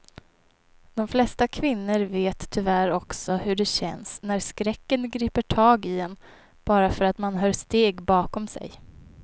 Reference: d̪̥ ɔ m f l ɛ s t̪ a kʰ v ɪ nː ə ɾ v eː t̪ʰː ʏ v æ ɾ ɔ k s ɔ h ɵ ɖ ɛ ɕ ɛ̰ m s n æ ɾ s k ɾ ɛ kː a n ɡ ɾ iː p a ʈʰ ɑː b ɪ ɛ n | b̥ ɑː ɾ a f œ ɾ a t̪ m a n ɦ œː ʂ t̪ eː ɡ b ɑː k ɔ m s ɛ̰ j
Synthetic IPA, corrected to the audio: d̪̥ ɔ m f l ɛ s t̪ a kʰ v ɪ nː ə ɾ v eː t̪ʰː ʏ v æ ɾ ɔ k s ɔ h ɵ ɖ ɛ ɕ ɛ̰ n s n æ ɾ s k ɾ ɛ kː ə n ɡ ɾ iː p ə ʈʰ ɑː ɡ ɪ ɛ n | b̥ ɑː ɾ a f œ ɾ a t̪ m a n ɦ œː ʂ t̪ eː ɡ b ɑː k ɔ m s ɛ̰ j